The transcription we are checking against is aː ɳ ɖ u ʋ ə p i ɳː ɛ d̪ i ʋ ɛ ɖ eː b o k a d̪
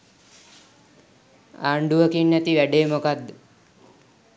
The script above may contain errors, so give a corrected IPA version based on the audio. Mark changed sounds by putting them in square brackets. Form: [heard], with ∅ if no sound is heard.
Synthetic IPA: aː ɳ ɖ u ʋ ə [k] i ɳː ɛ [t̪] i ʋ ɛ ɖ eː [m] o k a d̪

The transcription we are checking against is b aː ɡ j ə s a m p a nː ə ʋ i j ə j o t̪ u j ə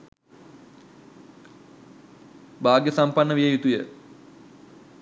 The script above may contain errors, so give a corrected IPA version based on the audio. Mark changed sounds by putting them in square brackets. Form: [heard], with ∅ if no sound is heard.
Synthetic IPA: b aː ɡ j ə s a m p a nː ə ʋ i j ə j [u] t̪ u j ə

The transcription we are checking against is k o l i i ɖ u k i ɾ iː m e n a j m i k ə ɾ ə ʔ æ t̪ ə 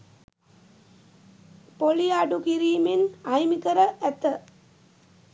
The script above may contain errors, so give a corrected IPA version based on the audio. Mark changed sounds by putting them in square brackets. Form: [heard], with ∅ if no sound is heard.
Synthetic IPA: [p] o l i [a] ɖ u k i ɾ iː m e n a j m i k ə ɾ ə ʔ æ t̪ ə

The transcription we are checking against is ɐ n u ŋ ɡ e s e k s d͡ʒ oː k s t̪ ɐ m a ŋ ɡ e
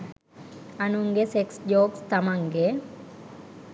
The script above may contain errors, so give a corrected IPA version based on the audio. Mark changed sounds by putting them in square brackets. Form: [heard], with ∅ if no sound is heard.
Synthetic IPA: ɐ n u ŋ ɡ e s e k s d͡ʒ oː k s t̪ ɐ m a ŋ ɡ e

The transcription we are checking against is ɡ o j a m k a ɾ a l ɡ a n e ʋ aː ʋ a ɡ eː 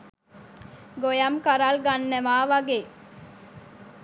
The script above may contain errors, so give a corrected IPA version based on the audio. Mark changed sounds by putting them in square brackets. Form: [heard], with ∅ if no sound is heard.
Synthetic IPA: ɡ o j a m k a ɾ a l ɡ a [nː] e ʋ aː ʋ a ɡ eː

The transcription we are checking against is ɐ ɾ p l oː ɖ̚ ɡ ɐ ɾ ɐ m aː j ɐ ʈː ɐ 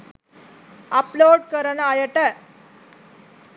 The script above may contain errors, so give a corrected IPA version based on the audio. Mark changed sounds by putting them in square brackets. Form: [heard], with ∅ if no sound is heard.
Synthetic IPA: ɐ [∅] p l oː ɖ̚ [k] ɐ ɾ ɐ [n] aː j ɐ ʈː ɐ

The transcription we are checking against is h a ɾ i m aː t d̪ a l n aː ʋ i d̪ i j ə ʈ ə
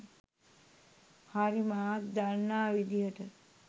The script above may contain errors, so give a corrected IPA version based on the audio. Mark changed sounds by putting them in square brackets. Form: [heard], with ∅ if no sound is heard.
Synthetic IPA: h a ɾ i m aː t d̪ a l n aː ʋ i d̪ i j ə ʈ ə

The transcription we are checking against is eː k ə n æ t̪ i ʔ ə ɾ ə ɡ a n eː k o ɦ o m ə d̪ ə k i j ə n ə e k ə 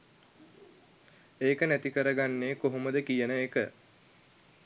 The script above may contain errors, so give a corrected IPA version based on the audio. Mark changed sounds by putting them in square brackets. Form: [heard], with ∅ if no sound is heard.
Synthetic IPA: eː k ə n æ t̪ i [k] ə ɾ ə ɡ a [nː] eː k o ɦ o m ə d̪ ə k i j ə n ə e k ə

